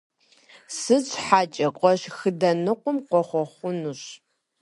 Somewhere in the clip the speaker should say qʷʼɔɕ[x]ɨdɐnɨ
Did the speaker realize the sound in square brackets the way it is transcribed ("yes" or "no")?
yes